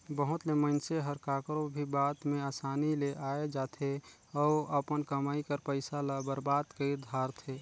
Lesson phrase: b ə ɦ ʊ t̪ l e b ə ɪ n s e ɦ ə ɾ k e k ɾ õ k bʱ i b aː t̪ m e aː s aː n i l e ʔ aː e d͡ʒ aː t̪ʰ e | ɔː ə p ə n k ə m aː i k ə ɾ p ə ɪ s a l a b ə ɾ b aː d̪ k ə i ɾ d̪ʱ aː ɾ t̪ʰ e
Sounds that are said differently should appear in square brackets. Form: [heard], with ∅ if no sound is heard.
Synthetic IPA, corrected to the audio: b ə ɦ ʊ t̪ l e [m] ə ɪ n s e ɦ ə ɾ k [a] k ɾ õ [∅] bʱ i b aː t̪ m e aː s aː n i l e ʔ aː e d͡ʒ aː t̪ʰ e | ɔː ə p ə n k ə m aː i k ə ɾ p ə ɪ s a l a b ə ɾ b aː d̪ k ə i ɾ d̪ʱ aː ɾ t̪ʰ e